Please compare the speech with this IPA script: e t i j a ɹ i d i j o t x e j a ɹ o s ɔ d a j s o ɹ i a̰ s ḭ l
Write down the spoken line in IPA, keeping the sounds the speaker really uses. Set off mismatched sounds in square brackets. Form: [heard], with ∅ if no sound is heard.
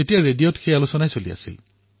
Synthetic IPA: e t i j a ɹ [e] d i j o t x e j a [l] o s ɔ [n] a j s o [l] i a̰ s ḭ l